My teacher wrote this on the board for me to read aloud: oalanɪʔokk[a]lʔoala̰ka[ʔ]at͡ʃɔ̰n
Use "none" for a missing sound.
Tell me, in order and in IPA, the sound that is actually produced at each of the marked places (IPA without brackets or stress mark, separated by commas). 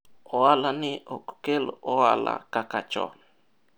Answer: e, k